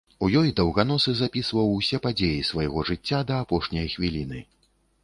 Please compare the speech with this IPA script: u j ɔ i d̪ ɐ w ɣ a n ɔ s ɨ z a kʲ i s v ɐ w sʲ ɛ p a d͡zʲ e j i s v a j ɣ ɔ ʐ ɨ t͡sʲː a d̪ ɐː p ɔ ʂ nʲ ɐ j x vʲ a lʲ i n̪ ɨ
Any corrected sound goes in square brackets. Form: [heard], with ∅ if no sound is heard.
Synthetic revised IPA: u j ɔ [j] d̪ ɐ w ɣ a n ɔ s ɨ z a [pʲ] i s v ɐ w sʲ ɛ p a d͡zʲ e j i s v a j ɣ ɔ ʐ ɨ t͡sʲː a d̪ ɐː p ɔ ʂ nʲ ɐ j x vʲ [i] lʲ i n̪ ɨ